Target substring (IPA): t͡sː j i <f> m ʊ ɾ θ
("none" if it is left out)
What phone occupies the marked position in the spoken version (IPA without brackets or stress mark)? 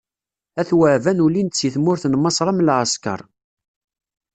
θ